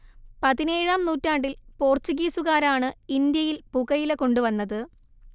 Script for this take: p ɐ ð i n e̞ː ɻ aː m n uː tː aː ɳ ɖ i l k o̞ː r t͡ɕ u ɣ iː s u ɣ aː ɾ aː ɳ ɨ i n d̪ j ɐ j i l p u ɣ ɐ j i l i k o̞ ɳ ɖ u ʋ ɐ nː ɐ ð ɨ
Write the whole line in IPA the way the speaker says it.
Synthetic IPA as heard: p ɐ ð i n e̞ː ɻ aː m n uː tː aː ɳ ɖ i l p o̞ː r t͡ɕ u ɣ iː s u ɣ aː ɾ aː ɳ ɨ i n d̪ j ɐ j i l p u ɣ ɐ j i l e k o̞ ɳ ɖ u ʋ ɐ nː ɐ ð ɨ